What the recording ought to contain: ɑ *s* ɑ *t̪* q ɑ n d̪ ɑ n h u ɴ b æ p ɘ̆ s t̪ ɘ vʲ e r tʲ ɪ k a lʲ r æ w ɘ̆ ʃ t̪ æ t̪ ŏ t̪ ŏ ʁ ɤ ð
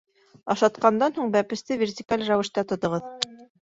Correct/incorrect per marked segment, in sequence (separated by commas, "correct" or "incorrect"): incorrect, correct